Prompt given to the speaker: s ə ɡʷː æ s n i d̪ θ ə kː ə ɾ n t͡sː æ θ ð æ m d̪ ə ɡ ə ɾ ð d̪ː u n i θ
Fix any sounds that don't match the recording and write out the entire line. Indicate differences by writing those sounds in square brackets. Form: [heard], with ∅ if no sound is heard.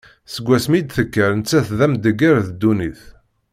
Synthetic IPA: s ə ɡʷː æ s [m] i d̪ θ ə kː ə ɾ n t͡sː æ θ ð æ m d̪ ə ɡ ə ɾ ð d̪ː u n i θ

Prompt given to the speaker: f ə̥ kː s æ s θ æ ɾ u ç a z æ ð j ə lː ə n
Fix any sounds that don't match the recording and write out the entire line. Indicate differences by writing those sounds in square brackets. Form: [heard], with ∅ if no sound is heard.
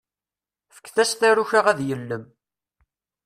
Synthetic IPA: f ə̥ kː [θ] æ s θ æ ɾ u ç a [ʁ] æ ð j ə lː ə [m]

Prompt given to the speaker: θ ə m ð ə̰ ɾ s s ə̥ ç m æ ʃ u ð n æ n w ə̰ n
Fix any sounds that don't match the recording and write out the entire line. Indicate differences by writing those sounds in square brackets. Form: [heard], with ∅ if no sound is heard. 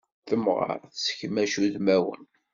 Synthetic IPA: θ ə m [ʁ] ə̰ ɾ [θ] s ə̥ ç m æ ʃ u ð [m] æ [∅] w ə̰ n

